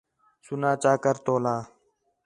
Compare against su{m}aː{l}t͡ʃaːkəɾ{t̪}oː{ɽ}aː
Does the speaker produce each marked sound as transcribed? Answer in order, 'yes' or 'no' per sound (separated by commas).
no, no, yes, no